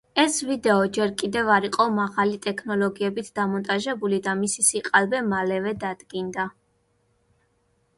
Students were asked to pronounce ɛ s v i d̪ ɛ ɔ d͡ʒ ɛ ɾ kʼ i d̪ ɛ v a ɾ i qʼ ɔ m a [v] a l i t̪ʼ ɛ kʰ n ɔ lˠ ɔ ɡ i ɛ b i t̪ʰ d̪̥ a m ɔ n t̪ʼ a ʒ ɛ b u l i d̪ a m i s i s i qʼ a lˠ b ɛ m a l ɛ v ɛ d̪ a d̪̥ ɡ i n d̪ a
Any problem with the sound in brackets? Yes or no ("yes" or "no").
yes